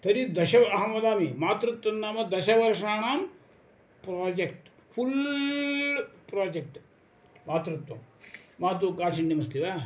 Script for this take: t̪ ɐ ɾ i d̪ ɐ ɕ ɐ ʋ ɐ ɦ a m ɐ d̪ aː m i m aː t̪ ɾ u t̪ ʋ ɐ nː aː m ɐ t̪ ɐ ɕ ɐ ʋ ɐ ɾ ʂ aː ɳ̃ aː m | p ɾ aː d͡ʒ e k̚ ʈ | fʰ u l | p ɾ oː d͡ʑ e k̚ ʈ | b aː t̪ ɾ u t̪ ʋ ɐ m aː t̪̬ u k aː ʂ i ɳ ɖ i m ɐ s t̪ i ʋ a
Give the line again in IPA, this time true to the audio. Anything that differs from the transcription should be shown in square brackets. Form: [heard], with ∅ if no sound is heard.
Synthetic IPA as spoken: t̪ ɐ ɾ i d̪ ɐ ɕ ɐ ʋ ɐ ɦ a m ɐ d̪ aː m i m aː t̪ ɾ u t̪ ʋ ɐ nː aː m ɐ [d̪] ɐ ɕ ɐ ʋ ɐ ɾ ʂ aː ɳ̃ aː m | p ɾ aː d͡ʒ e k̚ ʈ | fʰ u l | p ɾ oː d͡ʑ e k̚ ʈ | [m] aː t̪ ɾ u t̪ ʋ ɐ m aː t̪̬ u k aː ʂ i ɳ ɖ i m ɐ s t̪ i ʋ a